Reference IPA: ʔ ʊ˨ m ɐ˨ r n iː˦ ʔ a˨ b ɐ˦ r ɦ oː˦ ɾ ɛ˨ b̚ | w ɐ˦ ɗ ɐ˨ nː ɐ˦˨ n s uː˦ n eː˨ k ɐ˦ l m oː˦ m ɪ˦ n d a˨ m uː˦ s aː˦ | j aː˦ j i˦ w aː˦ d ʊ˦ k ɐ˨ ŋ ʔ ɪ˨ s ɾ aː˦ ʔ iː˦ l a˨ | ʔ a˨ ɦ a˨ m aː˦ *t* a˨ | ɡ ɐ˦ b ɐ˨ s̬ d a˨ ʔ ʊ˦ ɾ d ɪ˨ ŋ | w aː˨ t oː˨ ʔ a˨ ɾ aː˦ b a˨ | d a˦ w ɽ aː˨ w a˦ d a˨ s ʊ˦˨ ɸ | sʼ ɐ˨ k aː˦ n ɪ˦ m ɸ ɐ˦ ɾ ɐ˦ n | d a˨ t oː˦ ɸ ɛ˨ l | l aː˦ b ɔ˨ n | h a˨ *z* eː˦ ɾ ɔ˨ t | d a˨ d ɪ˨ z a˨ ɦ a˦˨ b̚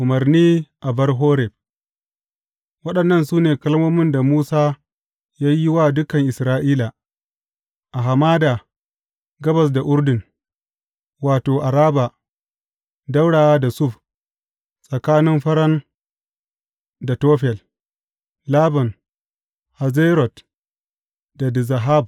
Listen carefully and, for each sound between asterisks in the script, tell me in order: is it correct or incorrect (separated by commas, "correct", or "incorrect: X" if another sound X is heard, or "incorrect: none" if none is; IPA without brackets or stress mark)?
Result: incorrect: d, correct